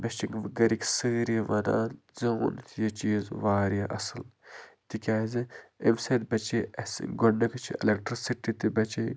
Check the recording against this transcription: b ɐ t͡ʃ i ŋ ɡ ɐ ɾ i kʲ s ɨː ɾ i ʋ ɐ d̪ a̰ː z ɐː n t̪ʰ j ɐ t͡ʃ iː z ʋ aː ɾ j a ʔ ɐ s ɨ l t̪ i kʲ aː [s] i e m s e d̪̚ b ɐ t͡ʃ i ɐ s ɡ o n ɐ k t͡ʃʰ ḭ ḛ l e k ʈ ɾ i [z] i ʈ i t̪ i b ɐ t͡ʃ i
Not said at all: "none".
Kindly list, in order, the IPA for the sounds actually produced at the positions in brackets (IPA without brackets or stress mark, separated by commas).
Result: z, s